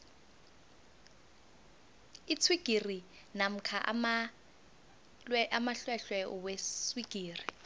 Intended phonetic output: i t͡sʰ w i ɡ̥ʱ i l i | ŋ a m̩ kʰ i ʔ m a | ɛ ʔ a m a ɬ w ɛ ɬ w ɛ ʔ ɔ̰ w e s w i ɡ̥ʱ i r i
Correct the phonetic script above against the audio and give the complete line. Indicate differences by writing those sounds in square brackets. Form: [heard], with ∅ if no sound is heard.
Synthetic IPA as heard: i t͡sʰ w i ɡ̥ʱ i [r] i | [n] a m̩ kʰ [a] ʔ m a | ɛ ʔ a m a ɬ w ɛ ɬ w ɛ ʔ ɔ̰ w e s w i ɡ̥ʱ [iː] r i